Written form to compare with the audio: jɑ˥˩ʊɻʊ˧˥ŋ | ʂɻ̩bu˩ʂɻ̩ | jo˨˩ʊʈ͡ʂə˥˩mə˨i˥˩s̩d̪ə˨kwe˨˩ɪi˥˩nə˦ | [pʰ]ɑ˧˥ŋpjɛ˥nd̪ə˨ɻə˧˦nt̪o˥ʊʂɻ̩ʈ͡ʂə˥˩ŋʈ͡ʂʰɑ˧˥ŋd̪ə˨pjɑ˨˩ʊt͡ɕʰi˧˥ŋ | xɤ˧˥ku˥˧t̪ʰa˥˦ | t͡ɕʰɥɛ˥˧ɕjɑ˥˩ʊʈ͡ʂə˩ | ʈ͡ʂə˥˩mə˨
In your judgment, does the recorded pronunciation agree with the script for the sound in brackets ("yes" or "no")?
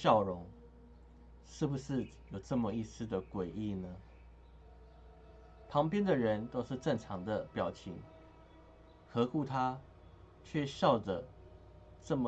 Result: yes